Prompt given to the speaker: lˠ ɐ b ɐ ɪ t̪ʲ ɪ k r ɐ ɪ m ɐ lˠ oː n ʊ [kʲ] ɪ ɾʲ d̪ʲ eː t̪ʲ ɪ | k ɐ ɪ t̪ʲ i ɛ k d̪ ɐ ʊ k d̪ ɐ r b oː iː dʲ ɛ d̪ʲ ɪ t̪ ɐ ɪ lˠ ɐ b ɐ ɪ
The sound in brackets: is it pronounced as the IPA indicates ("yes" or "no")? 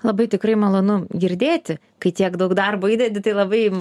no